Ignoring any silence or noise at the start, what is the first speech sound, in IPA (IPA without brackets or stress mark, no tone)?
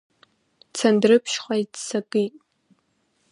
t͡sʰ